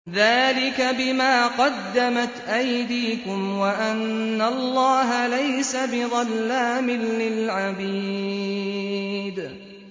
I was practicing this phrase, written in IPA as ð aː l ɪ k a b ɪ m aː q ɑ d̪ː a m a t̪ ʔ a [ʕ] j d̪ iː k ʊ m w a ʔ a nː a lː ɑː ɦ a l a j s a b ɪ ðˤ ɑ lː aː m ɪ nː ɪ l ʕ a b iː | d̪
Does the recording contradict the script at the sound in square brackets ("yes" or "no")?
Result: yes